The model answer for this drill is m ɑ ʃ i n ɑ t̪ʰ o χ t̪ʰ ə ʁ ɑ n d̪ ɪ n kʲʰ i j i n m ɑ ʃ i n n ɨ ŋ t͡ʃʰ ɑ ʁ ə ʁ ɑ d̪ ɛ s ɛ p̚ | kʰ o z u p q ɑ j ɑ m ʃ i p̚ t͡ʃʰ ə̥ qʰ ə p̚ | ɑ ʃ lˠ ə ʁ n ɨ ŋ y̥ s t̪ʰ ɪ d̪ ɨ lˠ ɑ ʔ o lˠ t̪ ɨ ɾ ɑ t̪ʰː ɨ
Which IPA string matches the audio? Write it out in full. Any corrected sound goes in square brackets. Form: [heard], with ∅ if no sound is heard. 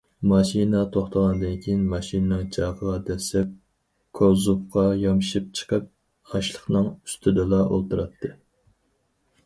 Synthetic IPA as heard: m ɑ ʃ i n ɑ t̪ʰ o χ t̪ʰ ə ʁ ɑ n d̪ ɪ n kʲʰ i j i n m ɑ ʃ i n n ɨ ŋ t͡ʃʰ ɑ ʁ ə ʁ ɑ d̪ ɛ s ɛ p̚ | kʰ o z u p q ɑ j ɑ m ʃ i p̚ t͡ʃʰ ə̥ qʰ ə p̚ | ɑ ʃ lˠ ə [χ] n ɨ ŋ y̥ s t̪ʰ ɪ d̪ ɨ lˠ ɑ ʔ o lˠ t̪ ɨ ɾ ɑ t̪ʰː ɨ